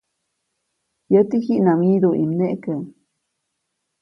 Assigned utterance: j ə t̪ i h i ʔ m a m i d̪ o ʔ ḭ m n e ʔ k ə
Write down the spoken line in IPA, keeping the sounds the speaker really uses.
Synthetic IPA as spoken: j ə t̪ i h i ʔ n a m i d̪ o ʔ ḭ m n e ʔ k ə

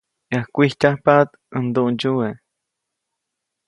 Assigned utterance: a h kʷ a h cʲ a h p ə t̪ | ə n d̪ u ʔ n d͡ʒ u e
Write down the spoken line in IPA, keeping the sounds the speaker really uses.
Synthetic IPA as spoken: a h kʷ i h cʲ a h p a t̪ | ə n d̪ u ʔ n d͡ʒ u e

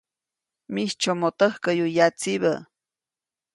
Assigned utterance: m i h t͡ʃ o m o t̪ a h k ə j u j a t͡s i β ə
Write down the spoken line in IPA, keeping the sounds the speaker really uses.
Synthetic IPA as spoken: m i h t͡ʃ o m o t̪ ə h k ə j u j a t͡s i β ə

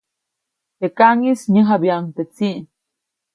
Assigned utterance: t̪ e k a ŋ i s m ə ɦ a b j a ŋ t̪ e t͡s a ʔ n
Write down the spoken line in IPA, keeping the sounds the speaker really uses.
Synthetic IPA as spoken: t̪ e k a ŋ i s ɲ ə ɦ a b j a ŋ t̪ e t͡s i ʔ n

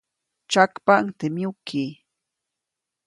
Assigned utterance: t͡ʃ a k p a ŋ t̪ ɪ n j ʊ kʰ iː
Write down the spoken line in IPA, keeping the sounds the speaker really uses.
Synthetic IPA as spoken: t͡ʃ a k p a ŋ t̪ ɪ m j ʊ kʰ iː

